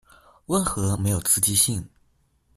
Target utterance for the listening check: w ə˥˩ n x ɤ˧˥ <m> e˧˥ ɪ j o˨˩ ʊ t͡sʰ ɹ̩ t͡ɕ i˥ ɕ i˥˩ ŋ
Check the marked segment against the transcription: correct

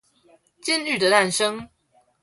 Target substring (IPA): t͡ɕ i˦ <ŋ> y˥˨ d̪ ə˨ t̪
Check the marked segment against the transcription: incorrect: n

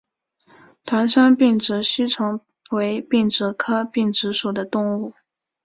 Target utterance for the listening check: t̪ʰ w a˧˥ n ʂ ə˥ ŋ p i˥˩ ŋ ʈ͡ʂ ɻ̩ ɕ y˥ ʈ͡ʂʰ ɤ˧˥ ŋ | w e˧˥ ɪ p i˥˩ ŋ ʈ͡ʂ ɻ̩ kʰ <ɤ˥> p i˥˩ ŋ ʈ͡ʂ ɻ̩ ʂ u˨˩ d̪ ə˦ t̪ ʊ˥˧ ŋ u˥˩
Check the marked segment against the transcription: correct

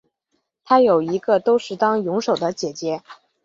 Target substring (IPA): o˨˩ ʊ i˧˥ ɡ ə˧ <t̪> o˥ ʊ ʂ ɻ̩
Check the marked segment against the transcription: correct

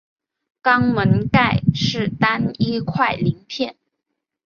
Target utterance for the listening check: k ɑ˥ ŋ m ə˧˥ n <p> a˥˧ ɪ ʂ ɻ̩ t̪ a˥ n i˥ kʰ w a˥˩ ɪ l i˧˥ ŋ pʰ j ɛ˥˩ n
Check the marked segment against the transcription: incorrect: k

